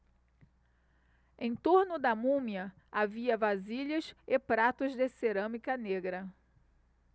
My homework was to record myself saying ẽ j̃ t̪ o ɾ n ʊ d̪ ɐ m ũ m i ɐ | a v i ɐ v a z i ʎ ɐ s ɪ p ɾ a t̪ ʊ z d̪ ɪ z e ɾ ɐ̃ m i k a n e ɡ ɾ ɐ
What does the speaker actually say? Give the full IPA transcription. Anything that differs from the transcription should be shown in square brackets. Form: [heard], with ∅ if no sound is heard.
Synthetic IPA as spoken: ẽ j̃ t̪ o ɾ n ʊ d̪ ɐ m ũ m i ɐ | a v i ɐ v a z i ʎ ɐ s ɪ p ɾ a t̪ ʊ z d̪ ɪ [s] e ɾ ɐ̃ m i k [ɐ] n e ɡ ɾ ɐ